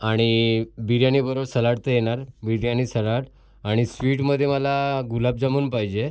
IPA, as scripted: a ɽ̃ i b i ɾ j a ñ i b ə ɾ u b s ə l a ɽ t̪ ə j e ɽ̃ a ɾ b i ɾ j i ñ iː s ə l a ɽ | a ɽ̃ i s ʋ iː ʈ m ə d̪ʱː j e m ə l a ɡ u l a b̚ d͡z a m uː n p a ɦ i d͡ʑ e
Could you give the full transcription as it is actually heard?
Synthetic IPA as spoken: a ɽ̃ i b i ɾ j a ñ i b ə ɾ o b s ə l a ɽ t̪ ə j e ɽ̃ a ɾ b i ɾ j a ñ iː s ə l a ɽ | a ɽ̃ i s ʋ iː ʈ m ə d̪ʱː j e m ə l a ɡ u l a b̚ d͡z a m uː n p a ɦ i d͡ʑ e